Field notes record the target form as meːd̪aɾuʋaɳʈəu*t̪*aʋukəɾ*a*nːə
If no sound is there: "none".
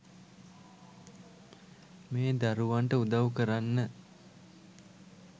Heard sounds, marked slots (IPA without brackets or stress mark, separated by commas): d̪, a